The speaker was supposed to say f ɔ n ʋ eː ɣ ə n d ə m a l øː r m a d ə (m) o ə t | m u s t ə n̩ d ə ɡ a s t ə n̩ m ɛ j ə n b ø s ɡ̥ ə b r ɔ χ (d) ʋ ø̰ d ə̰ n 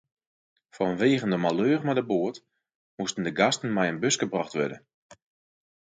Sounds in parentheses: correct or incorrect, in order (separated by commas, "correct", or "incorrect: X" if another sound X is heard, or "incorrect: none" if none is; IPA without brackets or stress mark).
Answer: incorrect: b, incorrect: t